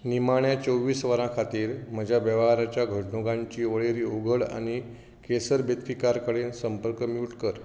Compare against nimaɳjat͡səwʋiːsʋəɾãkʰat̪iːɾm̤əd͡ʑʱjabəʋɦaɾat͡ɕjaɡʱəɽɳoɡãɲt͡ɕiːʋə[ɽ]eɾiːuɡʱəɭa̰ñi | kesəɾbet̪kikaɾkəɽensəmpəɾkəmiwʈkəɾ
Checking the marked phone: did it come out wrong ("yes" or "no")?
yes